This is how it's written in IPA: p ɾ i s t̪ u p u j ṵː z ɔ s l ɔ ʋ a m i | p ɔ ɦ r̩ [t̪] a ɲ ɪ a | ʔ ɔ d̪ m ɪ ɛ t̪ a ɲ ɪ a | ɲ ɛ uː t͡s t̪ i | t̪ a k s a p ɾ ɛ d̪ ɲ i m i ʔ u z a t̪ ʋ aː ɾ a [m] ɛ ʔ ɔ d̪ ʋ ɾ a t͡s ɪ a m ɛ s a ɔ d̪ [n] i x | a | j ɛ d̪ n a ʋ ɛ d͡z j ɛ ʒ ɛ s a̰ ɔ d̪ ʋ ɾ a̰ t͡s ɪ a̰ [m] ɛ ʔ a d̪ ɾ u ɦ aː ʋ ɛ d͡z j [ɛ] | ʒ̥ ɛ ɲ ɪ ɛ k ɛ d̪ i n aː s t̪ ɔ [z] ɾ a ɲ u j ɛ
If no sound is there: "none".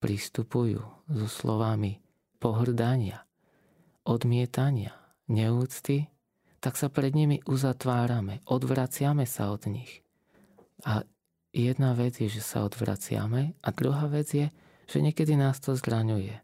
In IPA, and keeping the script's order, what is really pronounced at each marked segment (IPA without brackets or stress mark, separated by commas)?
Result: d̪, m, ɲ, m, ɛ, z